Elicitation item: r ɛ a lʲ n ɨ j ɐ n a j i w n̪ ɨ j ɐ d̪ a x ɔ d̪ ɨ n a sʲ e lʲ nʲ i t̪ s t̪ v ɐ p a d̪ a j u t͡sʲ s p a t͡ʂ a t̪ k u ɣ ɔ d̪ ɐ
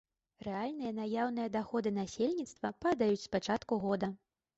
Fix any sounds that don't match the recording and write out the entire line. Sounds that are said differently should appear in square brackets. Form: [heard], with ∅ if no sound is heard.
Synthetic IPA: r ɛ a lʲ n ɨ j ɐ n a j [a] w n̪ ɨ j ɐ d̪ a x ɔ d̪ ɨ n a sʲ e lʲ nʲ i t̪ s t̪ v ɐ p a d̪ a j u t͡sʲ s p a t͡ʂ a t̪ k u ɣ ɔ d̪ ɐ